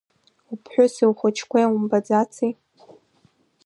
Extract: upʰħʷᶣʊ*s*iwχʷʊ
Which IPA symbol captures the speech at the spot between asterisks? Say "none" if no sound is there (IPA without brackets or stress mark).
s